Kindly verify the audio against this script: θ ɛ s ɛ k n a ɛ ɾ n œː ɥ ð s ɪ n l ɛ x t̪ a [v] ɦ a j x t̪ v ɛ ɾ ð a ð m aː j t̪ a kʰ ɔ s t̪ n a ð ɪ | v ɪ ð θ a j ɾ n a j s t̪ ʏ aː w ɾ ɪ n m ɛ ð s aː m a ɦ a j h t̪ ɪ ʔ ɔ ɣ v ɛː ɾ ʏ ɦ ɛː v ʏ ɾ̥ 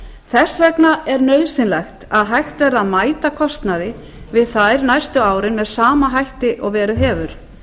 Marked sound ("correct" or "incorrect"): incorrect